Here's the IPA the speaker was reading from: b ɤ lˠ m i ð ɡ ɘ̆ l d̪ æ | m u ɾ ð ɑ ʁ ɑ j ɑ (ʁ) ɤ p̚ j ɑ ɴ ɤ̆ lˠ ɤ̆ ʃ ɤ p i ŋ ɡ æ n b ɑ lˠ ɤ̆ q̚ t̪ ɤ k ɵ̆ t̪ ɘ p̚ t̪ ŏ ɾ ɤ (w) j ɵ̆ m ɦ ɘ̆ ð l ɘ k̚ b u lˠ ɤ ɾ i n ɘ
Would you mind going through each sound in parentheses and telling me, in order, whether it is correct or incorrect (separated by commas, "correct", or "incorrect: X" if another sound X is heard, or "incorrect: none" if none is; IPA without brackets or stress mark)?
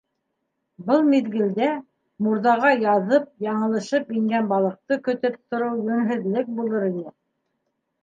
incorrect: ð, correct